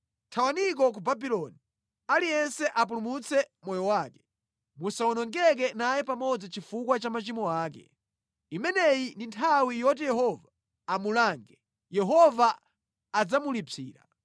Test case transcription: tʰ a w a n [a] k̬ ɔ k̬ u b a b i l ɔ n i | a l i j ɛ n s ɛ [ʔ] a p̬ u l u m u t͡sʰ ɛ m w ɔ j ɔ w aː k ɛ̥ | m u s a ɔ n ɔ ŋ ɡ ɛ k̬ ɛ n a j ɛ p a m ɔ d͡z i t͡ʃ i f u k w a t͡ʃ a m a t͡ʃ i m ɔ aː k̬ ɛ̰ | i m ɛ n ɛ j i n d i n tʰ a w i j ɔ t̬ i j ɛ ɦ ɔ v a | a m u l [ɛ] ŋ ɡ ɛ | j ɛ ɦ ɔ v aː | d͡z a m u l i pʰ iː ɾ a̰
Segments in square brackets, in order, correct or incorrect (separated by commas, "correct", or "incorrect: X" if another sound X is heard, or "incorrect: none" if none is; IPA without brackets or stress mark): incorrect: i, correct, incorrect: a